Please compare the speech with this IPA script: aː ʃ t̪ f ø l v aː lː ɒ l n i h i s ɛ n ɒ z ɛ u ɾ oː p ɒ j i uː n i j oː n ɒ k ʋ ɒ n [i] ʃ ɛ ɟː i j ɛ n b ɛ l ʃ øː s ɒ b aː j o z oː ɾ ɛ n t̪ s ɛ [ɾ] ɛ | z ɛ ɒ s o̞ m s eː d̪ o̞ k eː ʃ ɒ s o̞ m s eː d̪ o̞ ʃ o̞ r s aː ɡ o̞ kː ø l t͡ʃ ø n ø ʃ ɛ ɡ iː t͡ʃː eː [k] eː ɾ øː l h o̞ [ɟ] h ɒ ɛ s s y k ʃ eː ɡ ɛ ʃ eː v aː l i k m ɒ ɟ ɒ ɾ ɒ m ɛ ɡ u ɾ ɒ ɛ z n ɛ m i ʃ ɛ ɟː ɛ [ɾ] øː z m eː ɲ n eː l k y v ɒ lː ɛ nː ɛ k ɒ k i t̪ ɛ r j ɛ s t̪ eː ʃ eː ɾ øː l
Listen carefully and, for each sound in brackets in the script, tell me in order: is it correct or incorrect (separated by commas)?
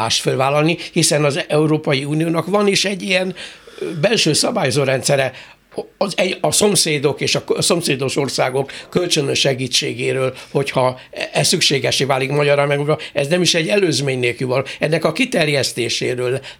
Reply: correct, correct, incorrect, incorrect, incorrect